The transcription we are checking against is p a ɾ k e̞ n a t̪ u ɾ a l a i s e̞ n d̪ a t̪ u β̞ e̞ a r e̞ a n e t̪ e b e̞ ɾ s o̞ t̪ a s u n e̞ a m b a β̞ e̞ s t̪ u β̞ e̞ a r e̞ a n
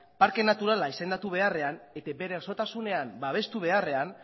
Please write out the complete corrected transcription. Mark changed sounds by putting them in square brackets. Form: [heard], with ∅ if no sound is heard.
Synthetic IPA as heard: p a ɾ k e̞ n a t̪ u ɾ a l a i s e̞ n d̪ a t̪ u β̞ e̞ a r e̞ a n e t̪ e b e̞ ɾ s o̞ t̪ a s u n e̞ a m b a β̞ e̞ s t̪ u β̞ e̞ a r e̞ a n